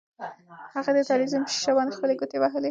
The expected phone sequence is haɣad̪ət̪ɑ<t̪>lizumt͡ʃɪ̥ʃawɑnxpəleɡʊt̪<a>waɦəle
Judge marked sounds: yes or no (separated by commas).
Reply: no, no